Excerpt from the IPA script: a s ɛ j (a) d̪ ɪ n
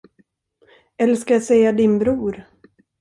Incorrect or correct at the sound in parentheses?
correct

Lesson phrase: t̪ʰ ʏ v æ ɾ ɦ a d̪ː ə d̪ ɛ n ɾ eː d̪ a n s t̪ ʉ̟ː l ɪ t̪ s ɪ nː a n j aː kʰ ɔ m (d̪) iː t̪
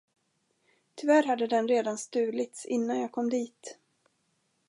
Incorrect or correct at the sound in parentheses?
correct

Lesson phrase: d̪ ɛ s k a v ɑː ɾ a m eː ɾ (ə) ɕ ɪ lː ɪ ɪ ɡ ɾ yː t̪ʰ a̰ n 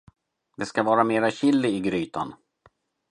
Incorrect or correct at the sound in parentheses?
incorrect: a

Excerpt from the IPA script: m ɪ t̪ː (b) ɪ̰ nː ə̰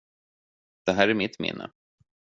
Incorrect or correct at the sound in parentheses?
incorrect: m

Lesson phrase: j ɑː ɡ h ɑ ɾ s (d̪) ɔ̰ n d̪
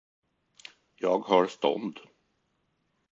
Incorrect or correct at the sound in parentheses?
incorrect: t̪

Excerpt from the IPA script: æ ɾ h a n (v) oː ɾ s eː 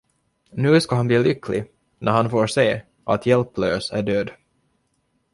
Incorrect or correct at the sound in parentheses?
incorrect: f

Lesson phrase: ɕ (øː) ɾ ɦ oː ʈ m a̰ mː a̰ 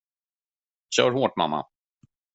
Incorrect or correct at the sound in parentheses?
incorrect: œː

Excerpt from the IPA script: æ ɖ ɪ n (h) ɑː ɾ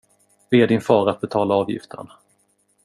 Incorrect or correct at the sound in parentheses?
incorrect: f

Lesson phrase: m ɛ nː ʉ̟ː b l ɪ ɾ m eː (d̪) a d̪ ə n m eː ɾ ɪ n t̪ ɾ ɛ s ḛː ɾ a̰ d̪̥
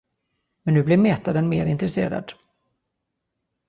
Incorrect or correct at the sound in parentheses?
incorrect: t̪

